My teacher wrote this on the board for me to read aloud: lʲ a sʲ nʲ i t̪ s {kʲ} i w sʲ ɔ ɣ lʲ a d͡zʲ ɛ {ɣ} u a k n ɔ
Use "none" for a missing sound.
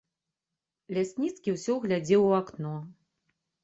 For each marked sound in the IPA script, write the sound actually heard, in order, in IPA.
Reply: kʲ, w

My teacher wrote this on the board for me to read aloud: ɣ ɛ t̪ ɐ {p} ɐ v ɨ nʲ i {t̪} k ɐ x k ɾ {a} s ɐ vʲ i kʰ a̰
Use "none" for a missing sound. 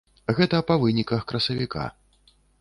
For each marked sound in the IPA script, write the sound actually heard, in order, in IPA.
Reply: p, none, ɐ

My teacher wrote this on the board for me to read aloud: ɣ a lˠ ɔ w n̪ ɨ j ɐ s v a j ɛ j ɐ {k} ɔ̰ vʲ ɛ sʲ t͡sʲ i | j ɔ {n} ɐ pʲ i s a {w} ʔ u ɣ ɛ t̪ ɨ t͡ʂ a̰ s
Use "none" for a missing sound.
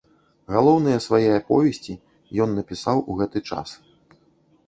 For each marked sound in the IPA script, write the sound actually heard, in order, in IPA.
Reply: p, nː, w

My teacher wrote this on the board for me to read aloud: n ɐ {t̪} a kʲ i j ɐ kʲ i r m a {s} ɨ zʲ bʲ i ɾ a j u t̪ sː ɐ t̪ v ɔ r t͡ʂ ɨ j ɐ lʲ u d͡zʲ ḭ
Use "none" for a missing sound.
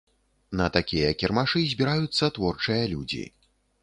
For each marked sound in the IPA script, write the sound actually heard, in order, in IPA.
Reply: t̪, ʂ

